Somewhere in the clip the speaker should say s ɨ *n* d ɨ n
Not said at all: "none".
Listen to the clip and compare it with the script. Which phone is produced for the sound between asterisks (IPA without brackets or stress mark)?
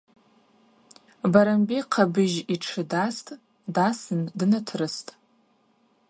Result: n